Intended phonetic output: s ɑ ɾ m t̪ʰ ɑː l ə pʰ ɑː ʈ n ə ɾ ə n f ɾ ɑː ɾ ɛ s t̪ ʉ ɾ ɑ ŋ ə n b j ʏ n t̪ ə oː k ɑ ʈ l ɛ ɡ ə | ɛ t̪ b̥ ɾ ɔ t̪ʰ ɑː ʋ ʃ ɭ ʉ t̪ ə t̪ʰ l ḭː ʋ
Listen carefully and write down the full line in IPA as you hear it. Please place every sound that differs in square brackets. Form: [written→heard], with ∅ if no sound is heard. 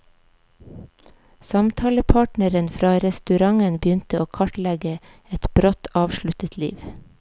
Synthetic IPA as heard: s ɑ [ɾ→∅] m t̪ʰ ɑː l ə pʰ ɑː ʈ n ə ɾ ə n f ɾ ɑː ɾ ɛ s t̪ ʉ ɾ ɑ ŋ ə n b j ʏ n t̪ ə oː [k→kʰ] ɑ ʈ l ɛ ɡ ə | ɛ t̪ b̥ ɾ ɔ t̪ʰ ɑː ʋ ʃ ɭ ʉ t̪ ə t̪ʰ l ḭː ʋ

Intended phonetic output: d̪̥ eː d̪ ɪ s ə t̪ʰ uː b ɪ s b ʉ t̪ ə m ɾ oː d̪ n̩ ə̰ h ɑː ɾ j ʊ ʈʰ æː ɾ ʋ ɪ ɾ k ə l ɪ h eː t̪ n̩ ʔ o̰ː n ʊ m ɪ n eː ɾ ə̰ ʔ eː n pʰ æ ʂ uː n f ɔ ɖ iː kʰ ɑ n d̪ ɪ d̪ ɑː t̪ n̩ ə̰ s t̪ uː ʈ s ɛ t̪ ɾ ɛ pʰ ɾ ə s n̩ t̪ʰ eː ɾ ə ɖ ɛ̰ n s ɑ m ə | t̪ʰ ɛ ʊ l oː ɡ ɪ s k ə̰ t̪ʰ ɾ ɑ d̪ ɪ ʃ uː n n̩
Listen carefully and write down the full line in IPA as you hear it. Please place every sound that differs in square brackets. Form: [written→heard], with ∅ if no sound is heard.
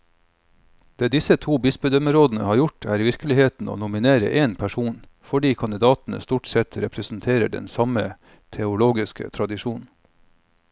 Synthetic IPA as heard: d̪̥ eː d̪ ɪ s ə t̪ʰ uː b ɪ s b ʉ [t̪→d̪] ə m ɾ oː d̪ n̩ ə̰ h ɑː ɾ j ʊ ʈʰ æː ɾ ʋ ɪ ɾ k ə l ɪ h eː t̪ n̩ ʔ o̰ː n ʊ m ɪ n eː ɾ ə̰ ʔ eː n pʰ æ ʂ uː n f ɔ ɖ iː kʰ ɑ n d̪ ɪ d̪ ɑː t̪ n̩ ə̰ s t̪ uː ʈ s ɛ t̪ ɾ ɛ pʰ ɾ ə s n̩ t̪ʰ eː ɾ ə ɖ ɛ̰ n s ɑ m ə | t̪ʰ ɛ ʊ l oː ɡ ɪ s k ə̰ t̪ʰ ɾ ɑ d̪ ɪ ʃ uː n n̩

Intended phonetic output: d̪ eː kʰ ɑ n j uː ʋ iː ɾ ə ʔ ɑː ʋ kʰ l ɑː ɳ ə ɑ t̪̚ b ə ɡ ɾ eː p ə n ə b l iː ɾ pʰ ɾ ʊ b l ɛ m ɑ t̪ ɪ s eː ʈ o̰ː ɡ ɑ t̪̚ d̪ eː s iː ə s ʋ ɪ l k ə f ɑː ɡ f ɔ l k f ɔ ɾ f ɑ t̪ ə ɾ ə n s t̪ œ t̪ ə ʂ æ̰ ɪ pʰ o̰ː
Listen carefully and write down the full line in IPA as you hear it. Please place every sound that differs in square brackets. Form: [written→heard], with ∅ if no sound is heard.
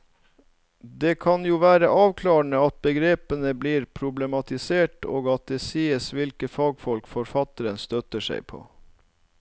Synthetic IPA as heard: d̪ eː kʰ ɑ n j uː ʋ [iː→æː] ɾ ə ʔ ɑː ʋ kʰ l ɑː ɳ ə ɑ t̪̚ b ə ɡ ɾ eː p ə n ə b l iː ɾ pʰ ɾ ʊ b l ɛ m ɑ t̪ ɪ s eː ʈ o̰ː ɡ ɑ t̪̚ d̪ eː s iː ə s ʋ ɪ l k ə f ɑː ɡ f ɔ l k f ɔ ɾ f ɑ t̪ ə ɾ ə n s t̪ œ t̪ ə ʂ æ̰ ɪ pʰ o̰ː

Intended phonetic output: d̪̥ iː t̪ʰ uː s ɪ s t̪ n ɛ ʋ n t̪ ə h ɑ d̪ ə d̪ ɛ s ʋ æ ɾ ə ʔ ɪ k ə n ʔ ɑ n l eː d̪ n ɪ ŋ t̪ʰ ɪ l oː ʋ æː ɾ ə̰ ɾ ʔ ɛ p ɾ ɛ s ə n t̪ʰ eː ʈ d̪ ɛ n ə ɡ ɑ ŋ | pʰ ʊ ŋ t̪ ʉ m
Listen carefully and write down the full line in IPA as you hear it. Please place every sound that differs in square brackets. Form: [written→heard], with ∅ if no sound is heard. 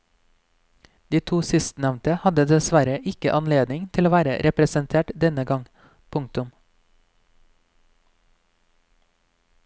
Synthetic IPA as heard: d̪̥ iː t̪ʰ uː s ɪ s t̪ n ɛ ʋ n t̪ ə h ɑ d̪ ə d̪ ɛ s ʋ æ ɾ ə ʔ ɪ k ə [n→∅] ʔ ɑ n l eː d̪ n ɪ ŋ t̪ʰ ɪ l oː ʋ æː ɾ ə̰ ɾ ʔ ɛ p ɾ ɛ s ə n t̪ʰ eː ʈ d̪ ɛ n ə ɡ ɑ ŋ | pʰ ʊ ŋ t̪ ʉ m

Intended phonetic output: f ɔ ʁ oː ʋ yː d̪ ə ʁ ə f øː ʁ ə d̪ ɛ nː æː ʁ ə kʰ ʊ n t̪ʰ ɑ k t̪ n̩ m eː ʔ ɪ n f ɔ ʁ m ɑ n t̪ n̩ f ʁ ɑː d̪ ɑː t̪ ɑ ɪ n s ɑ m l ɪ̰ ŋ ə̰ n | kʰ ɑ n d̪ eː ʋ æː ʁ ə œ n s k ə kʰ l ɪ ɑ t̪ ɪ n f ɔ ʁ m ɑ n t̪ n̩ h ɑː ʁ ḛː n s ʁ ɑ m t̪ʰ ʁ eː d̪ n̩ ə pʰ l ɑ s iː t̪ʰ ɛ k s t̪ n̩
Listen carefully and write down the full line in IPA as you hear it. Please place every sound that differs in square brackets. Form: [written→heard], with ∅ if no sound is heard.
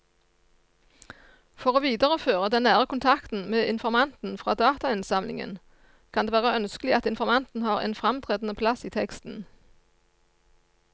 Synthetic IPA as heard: f ɔ ʁ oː ʋ [yː→iː] d̪ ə ʁ ə f øː ʁ ə d̪ ɛ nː æː ʁ ə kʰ ʊ n t̪ʰ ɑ k t̪ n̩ m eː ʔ ɪ n f ɔ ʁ m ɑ n t̪ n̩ f ʁ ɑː d̪ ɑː t̪ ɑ ɪ n s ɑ m l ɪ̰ ŋ ə̰ n | kʰ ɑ n d̪ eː ʋ æː ʁ ə œ n s k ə [kʰ→∅] l ɪ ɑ t̪ ɪ n f ɔ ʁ m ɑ n t̪ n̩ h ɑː ʁ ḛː n [s→f] ʁ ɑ m t̪ʰ ʁ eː d̪ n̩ ə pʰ l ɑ s iː t̪ʰ ɛ k s t̪ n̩

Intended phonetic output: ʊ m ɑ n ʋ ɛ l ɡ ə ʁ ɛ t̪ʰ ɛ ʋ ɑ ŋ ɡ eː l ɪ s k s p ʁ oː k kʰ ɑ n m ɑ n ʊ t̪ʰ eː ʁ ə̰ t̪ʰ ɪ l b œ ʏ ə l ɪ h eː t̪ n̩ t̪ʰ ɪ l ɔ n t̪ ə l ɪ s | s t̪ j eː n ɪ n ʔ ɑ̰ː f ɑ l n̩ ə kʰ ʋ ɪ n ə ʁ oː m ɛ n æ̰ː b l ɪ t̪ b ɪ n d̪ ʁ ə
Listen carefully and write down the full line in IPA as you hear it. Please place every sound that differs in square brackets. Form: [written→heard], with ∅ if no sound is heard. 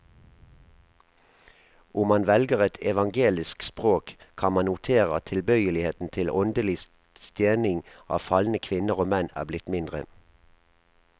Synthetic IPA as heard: ʊ m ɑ n ʋ ɛ l ɡ ə ʁ ɛ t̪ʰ ɛ ʋ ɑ ŋ ɡ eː l ɪ s k s p ʁ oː k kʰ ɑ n m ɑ n ʊ t̪ʰ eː ʁ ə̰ t̪ʰ ɪ l b œ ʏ ə l ɪ h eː t̪ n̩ t̪ʰ ɪ l ɔ n [t̪→d̪] ə l ɪ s | s t̪ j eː n ɪ [n→ŋ] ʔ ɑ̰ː f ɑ l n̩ ə kʰ ʋ ɪ n ə ʁ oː m ɛ n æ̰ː b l ɪ t̪ [b→m] ɪ n d̪ ʁ ə

